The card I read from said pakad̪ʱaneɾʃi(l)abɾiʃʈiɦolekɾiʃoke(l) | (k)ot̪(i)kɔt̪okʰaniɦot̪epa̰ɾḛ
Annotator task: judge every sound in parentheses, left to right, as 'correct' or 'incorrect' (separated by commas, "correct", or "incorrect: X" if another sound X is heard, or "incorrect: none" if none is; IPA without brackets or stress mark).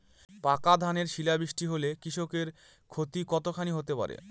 correct, incorrect: ɾ, incorrect: kʰ, correct